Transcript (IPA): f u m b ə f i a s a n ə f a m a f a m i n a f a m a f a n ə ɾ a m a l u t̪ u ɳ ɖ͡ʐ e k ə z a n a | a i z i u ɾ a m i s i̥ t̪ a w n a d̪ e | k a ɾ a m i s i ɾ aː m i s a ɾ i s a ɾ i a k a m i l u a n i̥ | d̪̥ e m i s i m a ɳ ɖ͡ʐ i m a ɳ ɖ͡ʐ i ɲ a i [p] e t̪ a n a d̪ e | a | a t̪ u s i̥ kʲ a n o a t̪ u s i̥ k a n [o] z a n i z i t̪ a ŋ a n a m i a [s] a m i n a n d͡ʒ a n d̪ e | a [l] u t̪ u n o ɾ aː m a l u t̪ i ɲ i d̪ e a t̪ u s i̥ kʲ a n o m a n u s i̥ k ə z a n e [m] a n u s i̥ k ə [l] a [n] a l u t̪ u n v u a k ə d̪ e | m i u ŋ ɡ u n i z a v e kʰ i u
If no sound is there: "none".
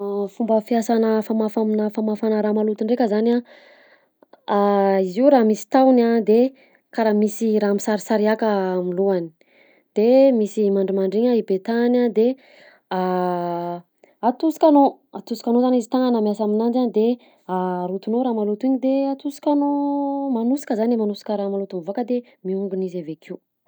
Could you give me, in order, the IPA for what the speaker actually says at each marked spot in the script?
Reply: b, o, s, ɾ, m, ɾ, m

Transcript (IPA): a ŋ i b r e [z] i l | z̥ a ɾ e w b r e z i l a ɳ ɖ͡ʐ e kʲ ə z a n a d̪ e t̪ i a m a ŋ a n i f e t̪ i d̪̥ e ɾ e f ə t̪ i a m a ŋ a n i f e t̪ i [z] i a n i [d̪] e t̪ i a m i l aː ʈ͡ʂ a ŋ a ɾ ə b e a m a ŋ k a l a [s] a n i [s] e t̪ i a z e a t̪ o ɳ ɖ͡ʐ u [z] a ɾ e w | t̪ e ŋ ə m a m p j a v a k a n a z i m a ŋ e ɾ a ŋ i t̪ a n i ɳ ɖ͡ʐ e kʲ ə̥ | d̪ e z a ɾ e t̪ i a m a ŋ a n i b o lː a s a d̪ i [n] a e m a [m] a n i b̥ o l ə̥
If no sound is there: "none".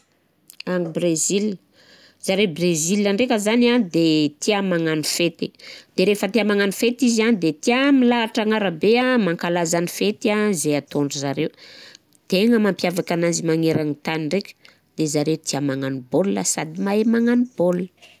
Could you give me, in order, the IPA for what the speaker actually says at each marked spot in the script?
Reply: z, z, d̪, z, f, z, m, ŋ

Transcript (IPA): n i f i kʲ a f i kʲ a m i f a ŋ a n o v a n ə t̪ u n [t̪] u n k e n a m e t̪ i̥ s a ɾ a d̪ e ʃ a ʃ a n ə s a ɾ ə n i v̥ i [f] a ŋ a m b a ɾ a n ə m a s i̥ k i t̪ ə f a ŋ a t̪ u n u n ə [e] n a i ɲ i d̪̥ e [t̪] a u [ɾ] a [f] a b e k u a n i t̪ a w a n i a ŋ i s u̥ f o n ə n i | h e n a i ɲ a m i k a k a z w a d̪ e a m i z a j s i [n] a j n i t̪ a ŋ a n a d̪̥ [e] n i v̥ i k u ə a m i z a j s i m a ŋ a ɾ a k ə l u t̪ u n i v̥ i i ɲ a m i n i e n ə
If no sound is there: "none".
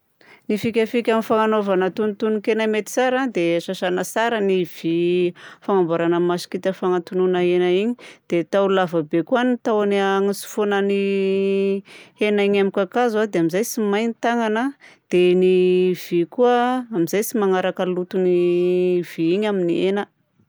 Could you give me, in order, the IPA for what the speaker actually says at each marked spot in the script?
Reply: t̪, f, e, t̪, l, v, m, e

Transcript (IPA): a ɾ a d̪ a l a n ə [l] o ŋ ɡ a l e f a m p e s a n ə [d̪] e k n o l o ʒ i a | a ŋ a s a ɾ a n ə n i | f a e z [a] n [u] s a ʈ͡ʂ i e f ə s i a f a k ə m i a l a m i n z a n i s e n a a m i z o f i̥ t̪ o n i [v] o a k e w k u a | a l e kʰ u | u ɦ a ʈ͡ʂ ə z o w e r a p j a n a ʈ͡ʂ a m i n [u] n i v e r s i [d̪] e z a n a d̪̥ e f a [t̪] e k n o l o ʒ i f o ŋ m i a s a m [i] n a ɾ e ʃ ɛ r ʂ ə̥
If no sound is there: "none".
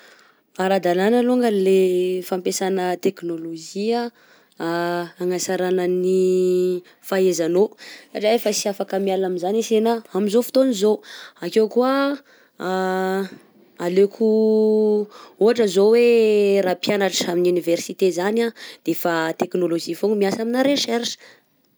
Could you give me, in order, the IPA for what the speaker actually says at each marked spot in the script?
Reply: l, t̪, a, o, z, u, t̪, t̪, i

